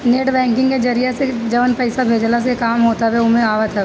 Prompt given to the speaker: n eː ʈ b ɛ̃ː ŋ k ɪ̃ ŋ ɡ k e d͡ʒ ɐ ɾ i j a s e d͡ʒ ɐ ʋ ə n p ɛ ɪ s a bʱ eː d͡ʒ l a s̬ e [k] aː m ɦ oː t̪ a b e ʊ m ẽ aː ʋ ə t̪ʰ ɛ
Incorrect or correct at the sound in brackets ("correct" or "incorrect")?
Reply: correct